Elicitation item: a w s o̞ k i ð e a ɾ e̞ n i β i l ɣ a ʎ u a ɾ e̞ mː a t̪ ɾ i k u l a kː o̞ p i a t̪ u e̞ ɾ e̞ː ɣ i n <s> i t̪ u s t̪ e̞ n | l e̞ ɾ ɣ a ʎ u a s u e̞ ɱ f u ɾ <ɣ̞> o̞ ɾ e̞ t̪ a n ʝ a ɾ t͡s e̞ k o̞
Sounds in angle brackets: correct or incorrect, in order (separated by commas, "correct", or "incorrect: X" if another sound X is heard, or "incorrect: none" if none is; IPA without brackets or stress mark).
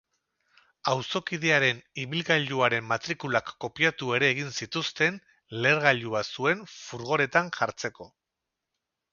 correct, correct